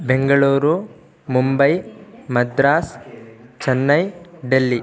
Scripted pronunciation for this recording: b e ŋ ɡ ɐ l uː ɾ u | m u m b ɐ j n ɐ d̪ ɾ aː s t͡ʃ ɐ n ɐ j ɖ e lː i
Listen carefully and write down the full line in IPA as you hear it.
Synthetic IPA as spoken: b e ŋ ɡ ɐ ɭ uː ɾ u | m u m b ɐ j m ɐ d̪ ɾ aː s t͡ʃ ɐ nː ɐ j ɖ e lː i